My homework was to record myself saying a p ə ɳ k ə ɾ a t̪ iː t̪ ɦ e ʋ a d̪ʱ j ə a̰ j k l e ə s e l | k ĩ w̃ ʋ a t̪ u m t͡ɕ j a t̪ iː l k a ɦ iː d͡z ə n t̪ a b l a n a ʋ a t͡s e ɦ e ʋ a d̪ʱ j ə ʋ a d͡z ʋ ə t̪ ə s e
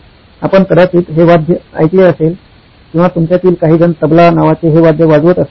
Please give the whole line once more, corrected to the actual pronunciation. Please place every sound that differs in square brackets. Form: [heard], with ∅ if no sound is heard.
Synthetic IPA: a p ə ɳ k ə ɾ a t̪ iː t̪ ɦ e ʋ a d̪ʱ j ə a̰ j k l e ə s e l | k ĩ w̃ ʋ a t̪ u m t͡ɕ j a t̪ iː l k a ɦ iː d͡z ə n t̪ [ə] b l a n a ʋ a t͡s e ɦ e ʋ a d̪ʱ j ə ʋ a d͡z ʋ ə t̪ ə s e